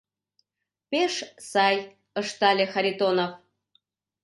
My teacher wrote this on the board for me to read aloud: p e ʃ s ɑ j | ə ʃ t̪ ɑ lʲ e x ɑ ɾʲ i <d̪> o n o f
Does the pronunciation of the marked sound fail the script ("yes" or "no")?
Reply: yes